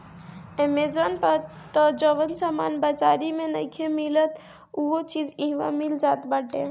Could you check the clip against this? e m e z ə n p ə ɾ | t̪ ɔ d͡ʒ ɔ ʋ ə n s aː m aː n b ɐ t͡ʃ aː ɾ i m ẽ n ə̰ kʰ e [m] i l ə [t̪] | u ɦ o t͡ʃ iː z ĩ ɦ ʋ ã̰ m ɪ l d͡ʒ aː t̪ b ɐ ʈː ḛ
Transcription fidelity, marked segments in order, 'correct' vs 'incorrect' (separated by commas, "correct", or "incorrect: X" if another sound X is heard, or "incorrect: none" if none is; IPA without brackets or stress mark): correct, correct